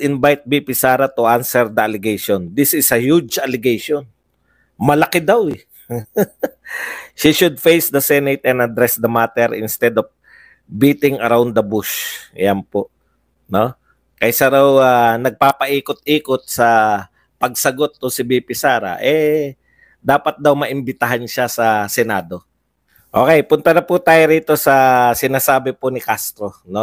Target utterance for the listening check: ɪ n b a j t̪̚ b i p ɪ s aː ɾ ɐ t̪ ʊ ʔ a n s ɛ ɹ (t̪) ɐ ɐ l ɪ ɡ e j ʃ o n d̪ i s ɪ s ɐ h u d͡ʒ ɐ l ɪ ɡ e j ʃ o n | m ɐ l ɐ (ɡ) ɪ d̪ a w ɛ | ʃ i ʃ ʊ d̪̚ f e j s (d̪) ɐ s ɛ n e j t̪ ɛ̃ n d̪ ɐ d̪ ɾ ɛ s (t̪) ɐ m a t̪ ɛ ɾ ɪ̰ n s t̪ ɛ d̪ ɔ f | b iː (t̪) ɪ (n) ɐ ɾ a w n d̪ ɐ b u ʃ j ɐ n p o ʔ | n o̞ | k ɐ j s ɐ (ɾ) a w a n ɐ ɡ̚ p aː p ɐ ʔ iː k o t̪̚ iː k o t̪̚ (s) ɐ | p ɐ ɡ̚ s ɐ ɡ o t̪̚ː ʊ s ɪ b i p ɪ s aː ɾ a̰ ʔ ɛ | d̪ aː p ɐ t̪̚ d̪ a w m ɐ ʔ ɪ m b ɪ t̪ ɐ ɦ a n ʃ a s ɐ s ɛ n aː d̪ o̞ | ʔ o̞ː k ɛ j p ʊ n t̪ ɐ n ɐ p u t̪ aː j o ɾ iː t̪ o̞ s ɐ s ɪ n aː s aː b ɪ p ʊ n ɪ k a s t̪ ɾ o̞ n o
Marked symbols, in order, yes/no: no, no, yes, no, yes, no, yes, yes

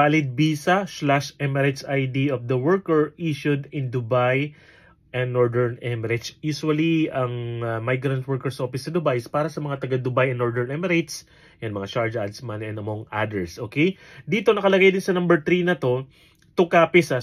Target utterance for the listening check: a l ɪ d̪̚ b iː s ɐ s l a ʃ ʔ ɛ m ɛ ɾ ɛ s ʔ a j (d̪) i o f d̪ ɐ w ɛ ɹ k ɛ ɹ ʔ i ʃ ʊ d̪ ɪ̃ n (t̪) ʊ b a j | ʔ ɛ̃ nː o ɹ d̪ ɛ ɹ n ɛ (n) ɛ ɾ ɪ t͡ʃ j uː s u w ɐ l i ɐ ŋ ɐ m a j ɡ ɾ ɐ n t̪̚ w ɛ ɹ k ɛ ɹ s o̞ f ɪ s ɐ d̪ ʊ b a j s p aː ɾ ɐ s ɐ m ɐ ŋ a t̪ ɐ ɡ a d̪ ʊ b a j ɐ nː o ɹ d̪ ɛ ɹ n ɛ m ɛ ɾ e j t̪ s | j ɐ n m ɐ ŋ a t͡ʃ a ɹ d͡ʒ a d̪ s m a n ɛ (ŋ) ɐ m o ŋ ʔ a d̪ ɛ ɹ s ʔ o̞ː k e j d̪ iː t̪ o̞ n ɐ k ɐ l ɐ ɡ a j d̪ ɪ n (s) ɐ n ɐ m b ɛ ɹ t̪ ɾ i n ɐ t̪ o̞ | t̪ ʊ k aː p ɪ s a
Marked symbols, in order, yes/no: yes, no, no, no, yes

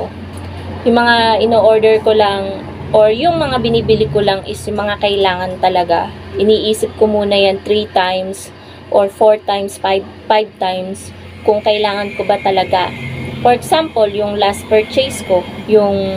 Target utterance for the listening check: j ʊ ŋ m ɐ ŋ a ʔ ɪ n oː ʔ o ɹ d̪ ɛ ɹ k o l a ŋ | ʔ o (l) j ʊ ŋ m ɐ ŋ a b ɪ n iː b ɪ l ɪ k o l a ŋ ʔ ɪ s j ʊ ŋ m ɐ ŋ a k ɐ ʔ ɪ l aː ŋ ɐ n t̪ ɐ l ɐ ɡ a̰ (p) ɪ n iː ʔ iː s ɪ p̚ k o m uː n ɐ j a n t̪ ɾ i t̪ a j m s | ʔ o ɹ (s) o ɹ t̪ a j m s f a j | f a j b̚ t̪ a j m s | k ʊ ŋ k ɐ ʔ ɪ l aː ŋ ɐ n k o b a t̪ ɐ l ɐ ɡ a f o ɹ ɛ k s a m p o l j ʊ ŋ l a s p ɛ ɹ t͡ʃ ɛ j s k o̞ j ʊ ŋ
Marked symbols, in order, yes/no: no, no, no

